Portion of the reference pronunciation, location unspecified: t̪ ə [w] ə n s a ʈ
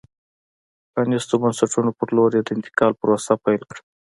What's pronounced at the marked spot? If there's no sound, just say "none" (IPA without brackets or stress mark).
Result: b